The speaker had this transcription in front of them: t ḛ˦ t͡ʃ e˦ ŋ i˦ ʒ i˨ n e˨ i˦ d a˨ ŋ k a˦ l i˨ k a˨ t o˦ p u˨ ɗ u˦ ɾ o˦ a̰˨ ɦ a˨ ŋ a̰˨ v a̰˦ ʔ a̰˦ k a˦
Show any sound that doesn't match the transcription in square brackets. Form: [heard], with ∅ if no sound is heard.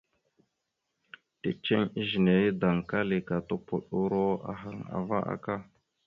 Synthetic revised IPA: t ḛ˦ t͡ʃ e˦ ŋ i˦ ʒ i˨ n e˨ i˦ d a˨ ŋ k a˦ l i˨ k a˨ t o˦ p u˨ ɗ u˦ ɾ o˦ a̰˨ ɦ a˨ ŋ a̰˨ v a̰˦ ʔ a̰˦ k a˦